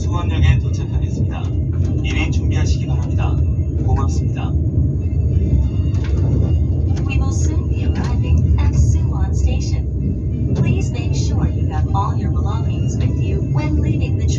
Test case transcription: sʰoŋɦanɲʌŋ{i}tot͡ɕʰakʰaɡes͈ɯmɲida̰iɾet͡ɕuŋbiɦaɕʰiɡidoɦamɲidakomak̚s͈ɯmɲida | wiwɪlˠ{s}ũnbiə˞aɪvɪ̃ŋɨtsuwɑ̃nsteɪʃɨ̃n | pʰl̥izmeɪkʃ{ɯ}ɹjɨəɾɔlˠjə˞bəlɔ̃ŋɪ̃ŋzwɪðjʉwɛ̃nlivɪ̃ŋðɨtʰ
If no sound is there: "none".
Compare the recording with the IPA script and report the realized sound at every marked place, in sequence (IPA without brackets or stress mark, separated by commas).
e, s, ʊ